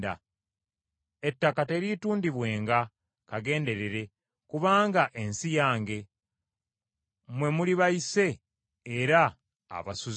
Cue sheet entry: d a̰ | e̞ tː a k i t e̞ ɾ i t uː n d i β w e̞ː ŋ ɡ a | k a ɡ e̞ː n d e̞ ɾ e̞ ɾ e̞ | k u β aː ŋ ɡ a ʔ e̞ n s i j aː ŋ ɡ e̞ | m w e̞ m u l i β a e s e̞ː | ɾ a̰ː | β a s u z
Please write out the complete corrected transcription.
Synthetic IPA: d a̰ | e̞ tː a k a t e̞ ɾ i t uː n d i β w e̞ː ŋ ɡ a | k a ɡ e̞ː n d e̞ ɾ e̞ ɾ e̞ | k u β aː ŋ ɡ a ʔ e̞ n s i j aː ŋ ɡ e̞ | m w e̞ m u l i β a i s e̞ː | ɾ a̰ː | β a s u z